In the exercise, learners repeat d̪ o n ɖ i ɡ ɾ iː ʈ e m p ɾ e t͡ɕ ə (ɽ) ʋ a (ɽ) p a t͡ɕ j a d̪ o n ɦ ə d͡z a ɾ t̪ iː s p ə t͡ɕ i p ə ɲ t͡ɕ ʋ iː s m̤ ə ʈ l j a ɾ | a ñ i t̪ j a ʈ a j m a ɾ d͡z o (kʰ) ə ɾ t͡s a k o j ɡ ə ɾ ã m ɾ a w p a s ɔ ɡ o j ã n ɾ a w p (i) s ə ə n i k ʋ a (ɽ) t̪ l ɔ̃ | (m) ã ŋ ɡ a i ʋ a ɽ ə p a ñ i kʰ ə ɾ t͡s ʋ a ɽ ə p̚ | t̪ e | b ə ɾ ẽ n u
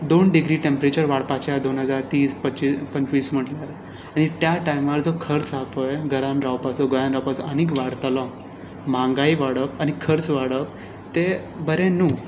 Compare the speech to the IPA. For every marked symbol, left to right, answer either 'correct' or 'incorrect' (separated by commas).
incorrect, correct, correct, incorrect, correct, correct